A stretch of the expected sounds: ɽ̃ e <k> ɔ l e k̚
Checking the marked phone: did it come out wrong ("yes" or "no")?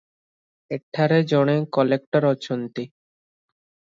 no